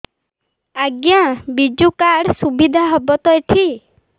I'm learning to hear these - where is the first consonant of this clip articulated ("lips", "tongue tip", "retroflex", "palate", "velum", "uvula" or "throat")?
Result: velum